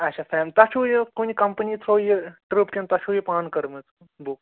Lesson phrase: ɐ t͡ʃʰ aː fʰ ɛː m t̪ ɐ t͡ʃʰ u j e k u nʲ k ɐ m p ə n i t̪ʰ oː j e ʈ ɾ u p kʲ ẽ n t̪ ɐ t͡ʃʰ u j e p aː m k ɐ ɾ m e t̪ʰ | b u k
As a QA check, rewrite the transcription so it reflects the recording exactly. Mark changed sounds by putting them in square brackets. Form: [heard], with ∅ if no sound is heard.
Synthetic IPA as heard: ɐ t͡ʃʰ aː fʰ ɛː m t̪ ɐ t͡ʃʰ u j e k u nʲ k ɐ m p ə n i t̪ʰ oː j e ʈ ɾ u p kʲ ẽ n t̪ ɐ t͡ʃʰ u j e p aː [n] k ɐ ɾ m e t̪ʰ | b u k